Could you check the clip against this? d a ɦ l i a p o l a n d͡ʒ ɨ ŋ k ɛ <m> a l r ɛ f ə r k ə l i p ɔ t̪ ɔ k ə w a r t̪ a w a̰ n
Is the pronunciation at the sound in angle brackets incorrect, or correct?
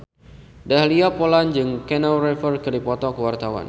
incorrect